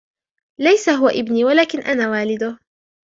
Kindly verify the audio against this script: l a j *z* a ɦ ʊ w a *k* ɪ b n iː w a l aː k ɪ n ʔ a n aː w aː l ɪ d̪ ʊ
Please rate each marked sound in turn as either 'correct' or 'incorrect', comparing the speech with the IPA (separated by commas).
incorrect, incorrect